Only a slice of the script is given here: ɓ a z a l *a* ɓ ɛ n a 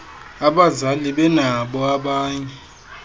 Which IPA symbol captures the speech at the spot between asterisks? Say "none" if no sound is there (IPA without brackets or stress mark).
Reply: i